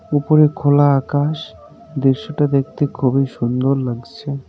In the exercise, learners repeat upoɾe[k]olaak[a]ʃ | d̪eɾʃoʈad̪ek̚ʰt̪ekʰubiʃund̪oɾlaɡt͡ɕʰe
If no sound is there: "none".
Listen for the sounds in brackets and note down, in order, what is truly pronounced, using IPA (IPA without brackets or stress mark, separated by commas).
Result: kʰ, a